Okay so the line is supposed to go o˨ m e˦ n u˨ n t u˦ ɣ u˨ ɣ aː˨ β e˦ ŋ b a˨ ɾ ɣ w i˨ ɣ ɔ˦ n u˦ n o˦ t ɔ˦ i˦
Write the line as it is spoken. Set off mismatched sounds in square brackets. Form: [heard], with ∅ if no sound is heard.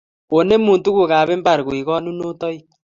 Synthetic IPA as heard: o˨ [n] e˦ [m] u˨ n t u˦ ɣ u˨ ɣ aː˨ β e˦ [m] b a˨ ɾ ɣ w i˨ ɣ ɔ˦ n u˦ n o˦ t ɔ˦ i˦